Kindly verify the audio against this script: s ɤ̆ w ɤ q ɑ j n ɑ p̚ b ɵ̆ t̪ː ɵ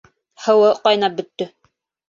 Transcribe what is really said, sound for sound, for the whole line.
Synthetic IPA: h ɤ̆ w ɤ q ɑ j n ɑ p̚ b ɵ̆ t̪ː ɵ